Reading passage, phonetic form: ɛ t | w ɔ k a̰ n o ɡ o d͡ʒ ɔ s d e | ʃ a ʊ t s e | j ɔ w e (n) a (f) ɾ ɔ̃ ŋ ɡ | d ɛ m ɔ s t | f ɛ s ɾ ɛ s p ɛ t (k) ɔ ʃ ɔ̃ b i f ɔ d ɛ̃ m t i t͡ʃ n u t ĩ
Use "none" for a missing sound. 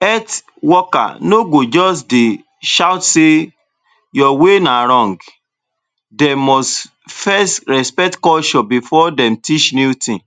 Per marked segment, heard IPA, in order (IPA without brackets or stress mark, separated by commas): n, none, k